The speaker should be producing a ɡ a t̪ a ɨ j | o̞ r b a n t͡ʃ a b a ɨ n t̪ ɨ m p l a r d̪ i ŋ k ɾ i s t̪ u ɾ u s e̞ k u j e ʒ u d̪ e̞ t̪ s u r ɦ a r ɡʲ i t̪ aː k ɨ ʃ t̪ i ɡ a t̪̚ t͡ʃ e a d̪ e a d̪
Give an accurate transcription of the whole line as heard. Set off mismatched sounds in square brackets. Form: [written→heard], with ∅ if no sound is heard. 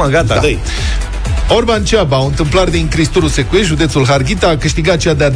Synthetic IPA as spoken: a ɡ a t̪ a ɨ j | o̞ r b a n t͡ʃ a b a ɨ n t̪ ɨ m p l a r d̪ i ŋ k ɾ i s t̪ u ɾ u s e̞ k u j e ʒ u d̪ e̞ t̪ s u [r→l] ɦ a r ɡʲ i t̪ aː k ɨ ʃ t̪ i ɡ a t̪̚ t͡ʃ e a d̪ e a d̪